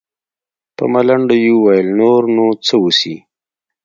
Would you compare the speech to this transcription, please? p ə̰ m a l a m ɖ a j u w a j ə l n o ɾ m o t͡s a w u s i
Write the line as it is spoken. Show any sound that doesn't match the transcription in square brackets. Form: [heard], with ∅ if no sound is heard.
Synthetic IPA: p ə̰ m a l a [ɳ] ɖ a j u w a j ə l n o ɾ [n] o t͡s [ə] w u s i